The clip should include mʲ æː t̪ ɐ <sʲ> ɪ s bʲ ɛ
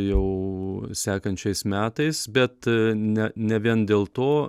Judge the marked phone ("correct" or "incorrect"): incorrect